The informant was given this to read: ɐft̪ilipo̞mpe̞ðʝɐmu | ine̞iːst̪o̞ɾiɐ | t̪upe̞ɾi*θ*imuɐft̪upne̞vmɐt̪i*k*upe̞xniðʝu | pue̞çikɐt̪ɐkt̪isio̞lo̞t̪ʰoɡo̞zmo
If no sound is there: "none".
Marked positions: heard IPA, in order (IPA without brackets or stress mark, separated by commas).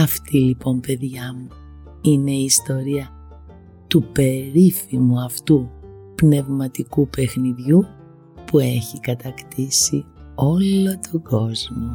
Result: f, k